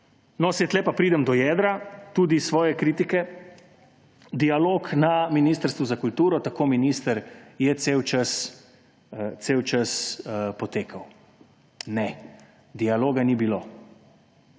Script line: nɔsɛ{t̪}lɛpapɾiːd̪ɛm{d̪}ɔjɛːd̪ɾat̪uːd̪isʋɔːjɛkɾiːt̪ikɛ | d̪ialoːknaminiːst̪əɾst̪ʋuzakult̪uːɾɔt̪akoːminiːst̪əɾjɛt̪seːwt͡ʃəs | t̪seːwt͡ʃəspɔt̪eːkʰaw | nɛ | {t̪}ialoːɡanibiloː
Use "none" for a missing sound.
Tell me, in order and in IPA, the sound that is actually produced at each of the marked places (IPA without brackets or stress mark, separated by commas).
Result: t̪, d̪, d̪